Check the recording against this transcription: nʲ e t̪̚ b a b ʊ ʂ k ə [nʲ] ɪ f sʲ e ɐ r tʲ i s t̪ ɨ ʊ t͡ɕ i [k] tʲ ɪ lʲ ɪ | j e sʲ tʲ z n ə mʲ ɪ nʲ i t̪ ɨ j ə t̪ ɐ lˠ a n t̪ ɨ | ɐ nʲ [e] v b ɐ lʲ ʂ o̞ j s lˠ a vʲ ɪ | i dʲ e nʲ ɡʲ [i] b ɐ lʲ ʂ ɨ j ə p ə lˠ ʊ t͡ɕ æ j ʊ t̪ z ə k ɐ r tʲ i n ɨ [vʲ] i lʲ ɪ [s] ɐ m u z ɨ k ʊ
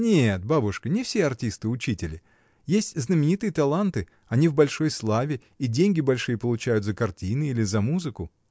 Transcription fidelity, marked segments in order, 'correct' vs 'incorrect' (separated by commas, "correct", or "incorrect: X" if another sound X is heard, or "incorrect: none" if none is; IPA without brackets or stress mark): correct, incorrect: none, incorrect: i, incorrect: ɪ, incorrect: none, incorrect: z